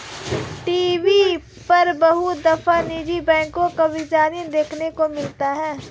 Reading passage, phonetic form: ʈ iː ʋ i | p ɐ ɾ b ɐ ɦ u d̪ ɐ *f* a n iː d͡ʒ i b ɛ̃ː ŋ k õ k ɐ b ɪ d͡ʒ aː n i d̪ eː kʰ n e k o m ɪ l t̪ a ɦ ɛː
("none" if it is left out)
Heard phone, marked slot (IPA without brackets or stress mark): f